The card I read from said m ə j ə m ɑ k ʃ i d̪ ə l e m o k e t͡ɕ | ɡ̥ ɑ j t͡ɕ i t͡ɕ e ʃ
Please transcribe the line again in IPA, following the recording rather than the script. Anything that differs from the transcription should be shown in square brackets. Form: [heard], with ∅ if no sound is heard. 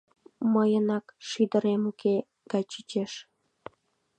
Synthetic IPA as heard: m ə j ə [n] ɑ k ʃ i d̪ ə [ɾ] e m [u] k e [∅] | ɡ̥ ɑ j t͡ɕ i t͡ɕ e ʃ

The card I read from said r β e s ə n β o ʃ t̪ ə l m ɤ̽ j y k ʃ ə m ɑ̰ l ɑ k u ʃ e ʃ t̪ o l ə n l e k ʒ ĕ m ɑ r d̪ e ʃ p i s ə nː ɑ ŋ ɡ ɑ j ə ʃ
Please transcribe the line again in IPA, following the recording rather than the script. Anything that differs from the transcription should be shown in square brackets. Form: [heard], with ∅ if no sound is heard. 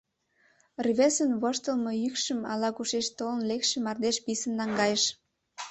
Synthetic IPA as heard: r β e s ə n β o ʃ t̪ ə l m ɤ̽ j y k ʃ ə m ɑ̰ l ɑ k u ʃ e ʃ t̪ o l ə n l e k [ʃ] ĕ m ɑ r d̪ e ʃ p i s ə nː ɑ ŋ ɡ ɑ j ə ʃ

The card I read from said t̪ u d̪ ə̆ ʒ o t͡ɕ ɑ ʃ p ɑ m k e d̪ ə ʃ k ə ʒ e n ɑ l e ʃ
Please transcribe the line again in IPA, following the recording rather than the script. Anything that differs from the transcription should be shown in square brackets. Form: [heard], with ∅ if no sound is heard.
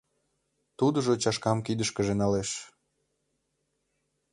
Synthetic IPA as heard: t̪ u d̪ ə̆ ʒ o t͡ɕ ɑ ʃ [k] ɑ m k [i] d̪ ə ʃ k ə ʒ e n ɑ l e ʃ

